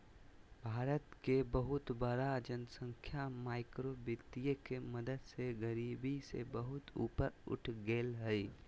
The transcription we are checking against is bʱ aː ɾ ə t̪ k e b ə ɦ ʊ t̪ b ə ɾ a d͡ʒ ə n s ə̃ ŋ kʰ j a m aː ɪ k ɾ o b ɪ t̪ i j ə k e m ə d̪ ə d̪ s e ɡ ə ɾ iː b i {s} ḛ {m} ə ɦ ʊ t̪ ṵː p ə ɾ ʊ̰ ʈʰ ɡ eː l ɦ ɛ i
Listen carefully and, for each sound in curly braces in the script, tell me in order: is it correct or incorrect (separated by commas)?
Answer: correct, incorrect